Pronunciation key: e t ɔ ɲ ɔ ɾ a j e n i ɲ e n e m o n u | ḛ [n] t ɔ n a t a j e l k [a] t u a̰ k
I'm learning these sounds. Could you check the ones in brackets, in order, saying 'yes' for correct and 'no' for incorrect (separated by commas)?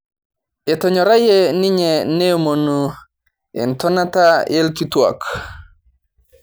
yes, no